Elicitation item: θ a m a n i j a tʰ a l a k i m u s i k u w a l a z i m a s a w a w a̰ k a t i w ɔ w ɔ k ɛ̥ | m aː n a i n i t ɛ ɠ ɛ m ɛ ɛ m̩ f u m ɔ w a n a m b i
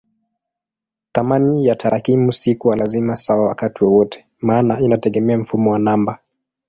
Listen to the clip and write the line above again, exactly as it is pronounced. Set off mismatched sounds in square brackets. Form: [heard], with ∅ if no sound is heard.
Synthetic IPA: θ a m a n i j a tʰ a [ɾ] a k i m u s i k u w a l a z i m a s a w a w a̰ k a t i w ɔ w ɔ [t] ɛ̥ | m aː n a i n [a] t ɛ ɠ ɛ m ɛ [a] m̩ f u m ɔ w a n a m b [a]